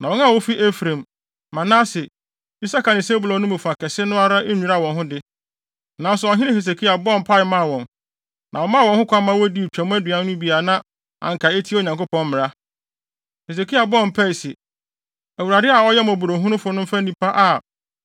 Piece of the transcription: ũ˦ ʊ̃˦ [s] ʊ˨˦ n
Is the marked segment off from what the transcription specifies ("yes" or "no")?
yes